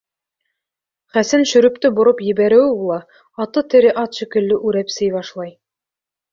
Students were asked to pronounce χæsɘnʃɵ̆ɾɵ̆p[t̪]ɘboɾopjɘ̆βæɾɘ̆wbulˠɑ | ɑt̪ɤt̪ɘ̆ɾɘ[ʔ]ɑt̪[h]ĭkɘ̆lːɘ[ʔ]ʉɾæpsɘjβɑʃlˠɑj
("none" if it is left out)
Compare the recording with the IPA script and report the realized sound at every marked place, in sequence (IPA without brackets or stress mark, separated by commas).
t̪, ʔ, ʃ, ʔ